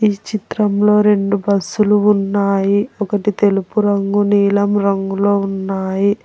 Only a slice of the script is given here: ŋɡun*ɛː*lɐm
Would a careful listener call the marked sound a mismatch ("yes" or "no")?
yes